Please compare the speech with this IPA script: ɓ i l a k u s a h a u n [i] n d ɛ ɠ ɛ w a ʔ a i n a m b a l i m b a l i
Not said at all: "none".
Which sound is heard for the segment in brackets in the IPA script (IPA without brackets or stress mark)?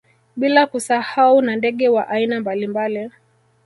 a